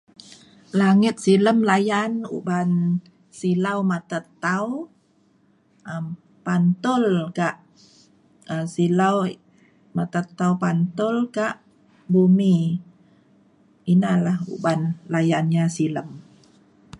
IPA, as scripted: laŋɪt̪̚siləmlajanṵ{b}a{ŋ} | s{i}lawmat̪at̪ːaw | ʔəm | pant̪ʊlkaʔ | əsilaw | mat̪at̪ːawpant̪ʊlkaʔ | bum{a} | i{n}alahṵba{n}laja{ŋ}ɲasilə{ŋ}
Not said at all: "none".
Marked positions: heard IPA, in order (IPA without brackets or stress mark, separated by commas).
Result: b, n, i, i, n, n, n, m